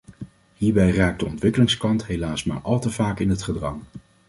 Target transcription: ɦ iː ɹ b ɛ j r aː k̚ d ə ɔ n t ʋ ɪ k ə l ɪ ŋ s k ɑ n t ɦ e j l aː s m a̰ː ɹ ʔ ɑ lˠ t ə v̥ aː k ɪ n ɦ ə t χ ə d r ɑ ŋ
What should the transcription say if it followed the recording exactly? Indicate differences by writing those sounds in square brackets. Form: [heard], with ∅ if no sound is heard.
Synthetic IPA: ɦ iː ɹ b ɛ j r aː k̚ d ə ɔ n t ʋ ɪ k ə l ɪ ŋ s k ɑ n t ɦ e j l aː s m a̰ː ɹ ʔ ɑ lˠ t ə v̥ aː k ɪ n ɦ ə t χ ə d r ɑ ŋ